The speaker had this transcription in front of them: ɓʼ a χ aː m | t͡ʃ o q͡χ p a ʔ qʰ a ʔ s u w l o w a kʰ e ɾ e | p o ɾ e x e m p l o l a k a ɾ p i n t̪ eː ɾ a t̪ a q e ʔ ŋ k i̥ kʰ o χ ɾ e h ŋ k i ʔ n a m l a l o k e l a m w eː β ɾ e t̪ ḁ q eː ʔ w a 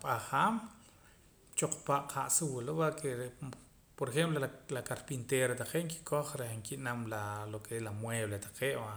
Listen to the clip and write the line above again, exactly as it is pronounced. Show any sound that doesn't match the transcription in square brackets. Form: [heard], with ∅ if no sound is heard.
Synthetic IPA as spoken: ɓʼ a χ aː m | t͡ʃ o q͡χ p a ʔ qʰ a ʔ s u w l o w a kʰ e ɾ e | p o ɾ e x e m p l o l a k a ɾ p i n t̪ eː ɾ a t̪ a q e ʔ ŋ k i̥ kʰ o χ ɾ e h ŋ k i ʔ n a m l a l o k e l a m w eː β [l] e t̪ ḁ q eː ʔ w a